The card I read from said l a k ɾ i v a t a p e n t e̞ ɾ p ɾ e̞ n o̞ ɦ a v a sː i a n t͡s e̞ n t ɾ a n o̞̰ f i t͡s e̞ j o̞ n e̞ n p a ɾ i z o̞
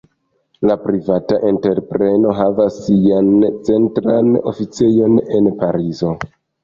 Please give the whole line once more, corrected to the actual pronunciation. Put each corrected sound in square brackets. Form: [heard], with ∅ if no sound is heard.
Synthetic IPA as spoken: l a [p] ɾ i v a t a [ʔ] e n t e̞ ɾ p ɾ e̞ n o̞ ɦ a v a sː i a n t͡s e̞ n t ɾ a n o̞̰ f i t͡s e̞ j o̞ n e̞ n p a ɾ i z o̞